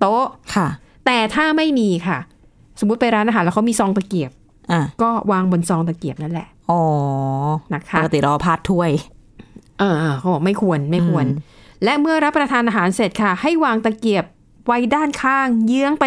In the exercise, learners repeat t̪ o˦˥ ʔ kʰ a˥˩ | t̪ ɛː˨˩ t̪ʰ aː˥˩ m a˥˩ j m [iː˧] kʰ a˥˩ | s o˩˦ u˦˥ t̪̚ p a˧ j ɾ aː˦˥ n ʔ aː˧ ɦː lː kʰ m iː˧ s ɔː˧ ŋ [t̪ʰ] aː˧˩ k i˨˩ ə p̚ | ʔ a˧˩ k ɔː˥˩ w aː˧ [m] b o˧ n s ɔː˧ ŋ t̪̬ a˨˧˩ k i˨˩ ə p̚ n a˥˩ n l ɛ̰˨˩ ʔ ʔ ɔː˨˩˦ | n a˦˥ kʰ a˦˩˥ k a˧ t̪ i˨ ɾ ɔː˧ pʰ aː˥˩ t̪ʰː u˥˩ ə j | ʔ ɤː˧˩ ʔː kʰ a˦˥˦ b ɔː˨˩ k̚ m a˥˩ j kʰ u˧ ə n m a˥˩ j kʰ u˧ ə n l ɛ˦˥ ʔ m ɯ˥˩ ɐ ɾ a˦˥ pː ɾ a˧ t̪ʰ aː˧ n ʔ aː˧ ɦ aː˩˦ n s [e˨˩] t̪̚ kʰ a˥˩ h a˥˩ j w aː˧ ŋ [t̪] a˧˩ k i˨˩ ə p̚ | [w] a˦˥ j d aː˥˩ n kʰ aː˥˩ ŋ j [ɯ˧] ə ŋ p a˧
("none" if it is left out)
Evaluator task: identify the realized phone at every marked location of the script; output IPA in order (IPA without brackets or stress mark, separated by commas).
iː˧, t̪, ŋ, e˨˩, t̪, w, ɯ˦˥